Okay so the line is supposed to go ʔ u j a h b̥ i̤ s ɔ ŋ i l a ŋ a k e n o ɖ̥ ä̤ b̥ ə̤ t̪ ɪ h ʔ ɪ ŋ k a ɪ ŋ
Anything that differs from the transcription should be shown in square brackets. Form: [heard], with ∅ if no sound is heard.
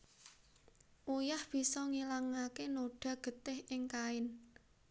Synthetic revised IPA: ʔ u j a h b̥ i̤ s ɔ ŋ i l a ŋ a k e n o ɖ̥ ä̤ [ɡ̥] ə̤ t̪ ɪ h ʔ ɪ ŋ k a ɪ [n]